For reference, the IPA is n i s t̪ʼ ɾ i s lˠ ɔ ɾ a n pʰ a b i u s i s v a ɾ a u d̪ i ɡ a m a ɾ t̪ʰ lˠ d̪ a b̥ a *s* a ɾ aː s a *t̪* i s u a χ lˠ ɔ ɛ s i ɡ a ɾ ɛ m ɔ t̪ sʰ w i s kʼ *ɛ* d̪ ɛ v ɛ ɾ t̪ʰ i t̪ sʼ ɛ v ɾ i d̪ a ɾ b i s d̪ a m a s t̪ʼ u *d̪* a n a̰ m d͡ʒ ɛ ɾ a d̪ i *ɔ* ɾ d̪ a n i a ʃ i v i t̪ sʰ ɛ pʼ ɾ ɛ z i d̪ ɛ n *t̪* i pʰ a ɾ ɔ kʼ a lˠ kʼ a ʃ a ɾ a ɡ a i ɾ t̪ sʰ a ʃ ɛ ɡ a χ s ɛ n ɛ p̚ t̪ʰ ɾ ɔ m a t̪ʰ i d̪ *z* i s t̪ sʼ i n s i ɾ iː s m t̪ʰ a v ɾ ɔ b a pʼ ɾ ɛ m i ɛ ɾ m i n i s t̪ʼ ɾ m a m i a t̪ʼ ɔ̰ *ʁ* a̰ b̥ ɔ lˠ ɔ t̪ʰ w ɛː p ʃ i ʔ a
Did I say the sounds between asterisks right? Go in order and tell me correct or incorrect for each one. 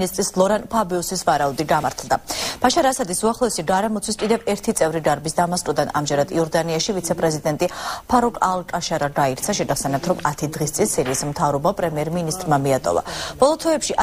incorrect: ʃ, incorrect: d̪, incorrect: i, correct, correct, incorrect: t̪ʼ, incorrect: ʁ, incorrect: v

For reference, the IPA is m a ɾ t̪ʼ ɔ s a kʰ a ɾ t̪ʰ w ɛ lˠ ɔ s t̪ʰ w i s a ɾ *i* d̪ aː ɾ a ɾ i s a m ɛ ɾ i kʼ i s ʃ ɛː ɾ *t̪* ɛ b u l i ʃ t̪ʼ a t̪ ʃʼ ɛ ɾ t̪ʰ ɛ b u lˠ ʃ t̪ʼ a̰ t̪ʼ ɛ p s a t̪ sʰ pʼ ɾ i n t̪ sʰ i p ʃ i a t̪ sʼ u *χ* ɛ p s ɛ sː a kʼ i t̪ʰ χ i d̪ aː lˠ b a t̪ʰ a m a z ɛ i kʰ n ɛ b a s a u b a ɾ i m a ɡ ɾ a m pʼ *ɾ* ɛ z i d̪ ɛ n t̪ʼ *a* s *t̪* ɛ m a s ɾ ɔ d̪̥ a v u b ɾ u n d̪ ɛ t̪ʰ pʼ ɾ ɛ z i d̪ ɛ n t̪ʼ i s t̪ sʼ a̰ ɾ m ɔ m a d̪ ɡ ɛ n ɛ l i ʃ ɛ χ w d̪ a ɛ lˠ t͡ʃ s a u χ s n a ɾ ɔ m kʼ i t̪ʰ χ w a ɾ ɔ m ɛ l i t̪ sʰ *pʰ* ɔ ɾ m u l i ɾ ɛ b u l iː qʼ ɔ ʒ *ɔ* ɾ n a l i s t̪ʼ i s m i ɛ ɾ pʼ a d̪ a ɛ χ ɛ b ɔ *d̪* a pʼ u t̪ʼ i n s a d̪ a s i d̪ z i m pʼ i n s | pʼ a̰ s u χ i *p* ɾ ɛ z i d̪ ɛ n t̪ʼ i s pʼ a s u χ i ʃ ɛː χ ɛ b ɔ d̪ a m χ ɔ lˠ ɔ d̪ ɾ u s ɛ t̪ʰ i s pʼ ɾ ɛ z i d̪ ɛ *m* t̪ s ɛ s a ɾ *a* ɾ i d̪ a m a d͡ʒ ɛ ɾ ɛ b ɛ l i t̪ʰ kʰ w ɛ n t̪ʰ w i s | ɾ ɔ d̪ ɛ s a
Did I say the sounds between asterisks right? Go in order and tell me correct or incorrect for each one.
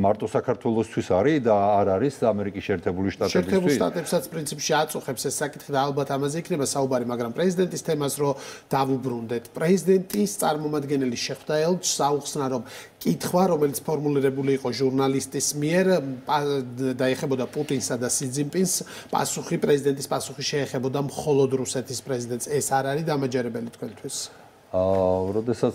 correct, incorrect: t̪ʰ, correct, correct, incorrect: i, incorrect: t̪ʰ, correct, incorrect: u, correct, incorrect: pʼ, incorrect: n, correct

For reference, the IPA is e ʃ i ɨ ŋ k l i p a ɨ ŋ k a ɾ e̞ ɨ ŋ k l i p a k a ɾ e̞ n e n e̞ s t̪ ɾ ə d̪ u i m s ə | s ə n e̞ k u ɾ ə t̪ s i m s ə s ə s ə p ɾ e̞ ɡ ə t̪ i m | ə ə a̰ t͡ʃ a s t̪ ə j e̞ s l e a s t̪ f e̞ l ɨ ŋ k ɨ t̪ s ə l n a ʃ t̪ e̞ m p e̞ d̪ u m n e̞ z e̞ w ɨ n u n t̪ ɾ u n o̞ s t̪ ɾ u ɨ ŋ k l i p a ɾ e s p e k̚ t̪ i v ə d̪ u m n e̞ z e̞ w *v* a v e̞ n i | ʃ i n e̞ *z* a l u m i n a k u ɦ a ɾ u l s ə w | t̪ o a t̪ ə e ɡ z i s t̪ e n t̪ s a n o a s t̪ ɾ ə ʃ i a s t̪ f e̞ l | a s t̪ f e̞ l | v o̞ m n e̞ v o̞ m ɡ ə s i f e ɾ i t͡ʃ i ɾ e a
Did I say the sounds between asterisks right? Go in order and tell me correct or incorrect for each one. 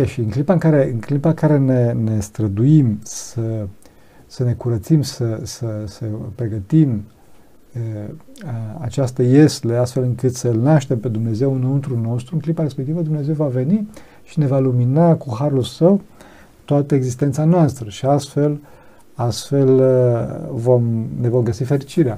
correct, incorrect: v

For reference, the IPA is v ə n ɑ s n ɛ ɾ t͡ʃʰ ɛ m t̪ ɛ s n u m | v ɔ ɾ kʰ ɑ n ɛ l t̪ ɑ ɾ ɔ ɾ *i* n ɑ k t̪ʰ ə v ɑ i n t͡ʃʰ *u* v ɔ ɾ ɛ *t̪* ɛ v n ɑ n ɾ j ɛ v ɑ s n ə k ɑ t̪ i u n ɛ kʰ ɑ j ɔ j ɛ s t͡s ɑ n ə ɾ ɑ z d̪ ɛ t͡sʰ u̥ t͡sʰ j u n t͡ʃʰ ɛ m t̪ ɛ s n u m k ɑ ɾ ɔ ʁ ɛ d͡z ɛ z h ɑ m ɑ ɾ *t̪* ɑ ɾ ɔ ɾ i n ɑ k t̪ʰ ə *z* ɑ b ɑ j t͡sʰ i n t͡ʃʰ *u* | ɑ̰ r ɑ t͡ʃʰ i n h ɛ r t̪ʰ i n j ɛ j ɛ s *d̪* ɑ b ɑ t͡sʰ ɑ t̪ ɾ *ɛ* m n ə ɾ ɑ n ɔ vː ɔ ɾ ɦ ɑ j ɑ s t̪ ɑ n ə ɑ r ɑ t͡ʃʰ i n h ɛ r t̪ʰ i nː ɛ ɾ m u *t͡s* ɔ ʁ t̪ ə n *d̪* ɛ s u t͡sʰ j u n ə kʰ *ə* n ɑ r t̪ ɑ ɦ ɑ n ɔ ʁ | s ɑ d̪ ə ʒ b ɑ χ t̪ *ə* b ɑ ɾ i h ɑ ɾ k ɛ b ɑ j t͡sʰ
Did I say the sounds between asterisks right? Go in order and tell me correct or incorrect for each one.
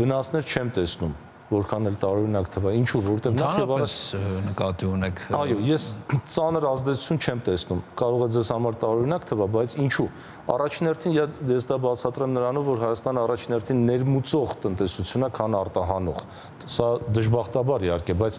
correct, correct, correct, correct, incorrect: v, correct, correct, correct, correct, incorrect: t̪, incorrect: ɑ, incorrect: ɑ

